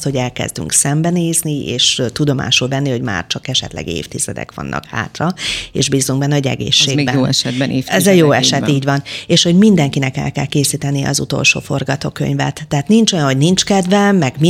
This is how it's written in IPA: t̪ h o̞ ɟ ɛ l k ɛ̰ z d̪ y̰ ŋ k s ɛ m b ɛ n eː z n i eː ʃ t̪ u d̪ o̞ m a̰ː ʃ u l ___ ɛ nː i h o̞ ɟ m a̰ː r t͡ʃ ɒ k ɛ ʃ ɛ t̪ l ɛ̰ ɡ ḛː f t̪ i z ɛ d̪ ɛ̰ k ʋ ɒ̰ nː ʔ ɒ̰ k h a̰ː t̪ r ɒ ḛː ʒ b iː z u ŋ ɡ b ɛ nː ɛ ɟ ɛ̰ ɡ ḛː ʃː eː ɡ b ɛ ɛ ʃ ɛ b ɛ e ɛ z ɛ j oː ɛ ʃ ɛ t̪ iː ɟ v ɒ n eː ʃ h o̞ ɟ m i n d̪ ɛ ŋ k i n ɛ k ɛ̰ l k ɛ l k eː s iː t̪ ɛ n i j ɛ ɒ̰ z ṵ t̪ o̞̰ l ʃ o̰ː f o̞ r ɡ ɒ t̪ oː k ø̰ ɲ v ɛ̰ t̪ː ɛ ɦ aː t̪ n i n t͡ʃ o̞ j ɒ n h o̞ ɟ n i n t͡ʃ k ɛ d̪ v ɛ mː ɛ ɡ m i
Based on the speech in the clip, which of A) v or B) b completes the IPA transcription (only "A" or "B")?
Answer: A